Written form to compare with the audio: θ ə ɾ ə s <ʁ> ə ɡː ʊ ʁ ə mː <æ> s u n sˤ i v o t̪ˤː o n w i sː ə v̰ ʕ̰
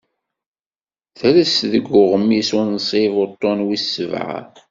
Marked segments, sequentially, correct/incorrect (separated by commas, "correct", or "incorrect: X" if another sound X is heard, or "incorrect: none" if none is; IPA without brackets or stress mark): incorrect: ð, incorrect: i